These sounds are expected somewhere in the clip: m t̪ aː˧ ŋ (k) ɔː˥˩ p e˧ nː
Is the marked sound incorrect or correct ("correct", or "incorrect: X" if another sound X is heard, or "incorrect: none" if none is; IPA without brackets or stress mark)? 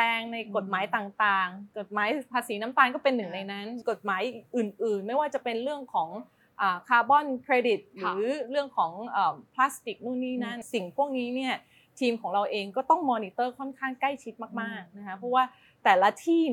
correct